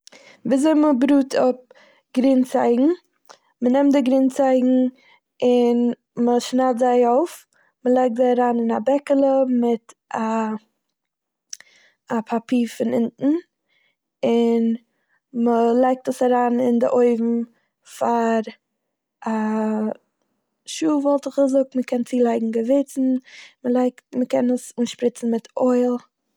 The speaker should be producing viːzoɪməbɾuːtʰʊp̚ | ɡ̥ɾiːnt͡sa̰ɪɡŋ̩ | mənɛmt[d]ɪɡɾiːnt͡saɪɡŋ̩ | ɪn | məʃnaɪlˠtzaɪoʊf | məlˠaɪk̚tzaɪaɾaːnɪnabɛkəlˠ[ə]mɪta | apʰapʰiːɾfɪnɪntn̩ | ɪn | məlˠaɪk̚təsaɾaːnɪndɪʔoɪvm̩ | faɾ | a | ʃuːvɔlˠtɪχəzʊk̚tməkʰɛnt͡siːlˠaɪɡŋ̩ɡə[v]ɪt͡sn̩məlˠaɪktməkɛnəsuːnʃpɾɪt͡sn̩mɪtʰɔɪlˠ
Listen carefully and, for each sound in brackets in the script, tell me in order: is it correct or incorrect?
correct, correct, correct

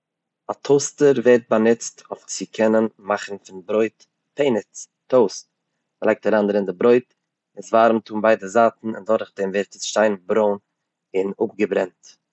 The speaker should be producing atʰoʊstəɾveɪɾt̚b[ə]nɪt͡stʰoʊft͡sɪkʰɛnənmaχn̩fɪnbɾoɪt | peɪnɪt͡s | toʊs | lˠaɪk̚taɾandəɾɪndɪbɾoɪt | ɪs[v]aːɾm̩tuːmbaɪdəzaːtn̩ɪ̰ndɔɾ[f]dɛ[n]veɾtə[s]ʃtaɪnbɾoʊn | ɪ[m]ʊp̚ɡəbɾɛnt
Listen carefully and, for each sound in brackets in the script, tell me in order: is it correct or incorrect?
incorrect: a, correct, incorrect: χ, incorrect: m, correct, incorrect: n

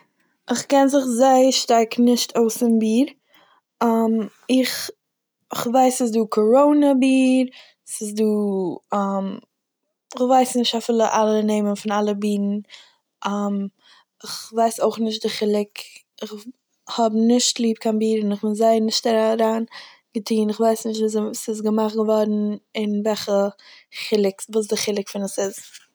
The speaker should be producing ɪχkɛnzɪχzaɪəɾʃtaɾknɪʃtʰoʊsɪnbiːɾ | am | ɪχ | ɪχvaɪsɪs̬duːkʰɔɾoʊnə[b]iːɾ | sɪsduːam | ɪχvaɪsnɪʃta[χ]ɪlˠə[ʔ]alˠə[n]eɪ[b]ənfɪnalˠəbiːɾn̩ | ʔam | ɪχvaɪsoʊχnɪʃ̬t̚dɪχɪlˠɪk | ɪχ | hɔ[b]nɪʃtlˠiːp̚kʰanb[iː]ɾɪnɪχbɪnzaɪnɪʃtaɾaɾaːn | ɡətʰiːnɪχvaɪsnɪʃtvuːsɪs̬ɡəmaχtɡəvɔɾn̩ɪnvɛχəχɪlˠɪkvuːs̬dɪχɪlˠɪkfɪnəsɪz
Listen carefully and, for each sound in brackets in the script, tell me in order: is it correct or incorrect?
correct, incorrect: f, correct, correct, incorrect: m, correct, correct

